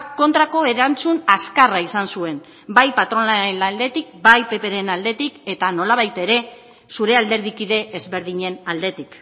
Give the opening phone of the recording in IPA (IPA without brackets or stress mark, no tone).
k